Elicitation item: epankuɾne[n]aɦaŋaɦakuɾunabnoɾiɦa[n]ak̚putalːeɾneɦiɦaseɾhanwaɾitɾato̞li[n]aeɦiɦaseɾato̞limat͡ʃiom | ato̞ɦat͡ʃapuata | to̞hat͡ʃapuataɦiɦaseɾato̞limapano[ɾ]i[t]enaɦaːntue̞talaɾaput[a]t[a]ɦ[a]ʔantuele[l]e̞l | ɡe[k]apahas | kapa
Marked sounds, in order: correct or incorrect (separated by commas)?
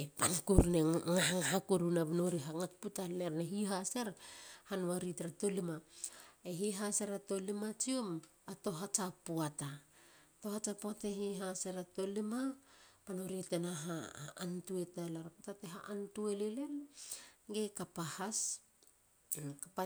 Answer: incorrect, incorrect, incorrect, correct, correct, correct, incorrect, correct, correct, correct